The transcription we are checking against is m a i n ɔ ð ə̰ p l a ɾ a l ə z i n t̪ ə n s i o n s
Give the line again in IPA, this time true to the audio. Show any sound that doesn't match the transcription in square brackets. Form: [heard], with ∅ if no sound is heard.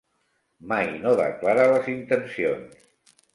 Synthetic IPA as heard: m a [j] n [o] ð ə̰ [k] l a ɾ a l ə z i n t̪ ə n s i o n s